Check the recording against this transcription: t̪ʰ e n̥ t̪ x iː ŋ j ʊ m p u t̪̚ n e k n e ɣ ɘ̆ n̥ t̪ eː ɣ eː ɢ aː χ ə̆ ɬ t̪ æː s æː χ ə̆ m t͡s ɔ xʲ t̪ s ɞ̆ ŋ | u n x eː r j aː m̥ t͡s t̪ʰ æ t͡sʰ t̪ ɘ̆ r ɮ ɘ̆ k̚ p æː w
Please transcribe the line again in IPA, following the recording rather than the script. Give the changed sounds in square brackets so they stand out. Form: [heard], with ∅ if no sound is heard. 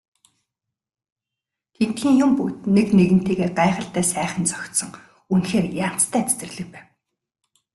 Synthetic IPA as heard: t̪ʰ e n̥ t̪ x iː ŋ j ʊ m p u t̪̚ n e k n e ɣ ɘ̆ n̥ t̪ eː ɣ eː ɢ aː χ ə̆ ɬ t̪ æː s æː χ ə̆ [n] t͡s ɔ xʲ t̪ s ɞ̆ ŋ | u n x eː r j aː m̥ t͡s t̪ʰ [æː] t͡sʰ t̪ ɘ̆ r ɮ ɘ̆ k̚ p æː w